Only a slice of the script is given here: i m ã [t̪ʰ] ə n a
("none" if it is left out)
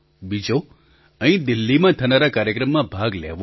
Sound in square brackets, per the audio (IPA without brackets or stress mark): t̪ʰ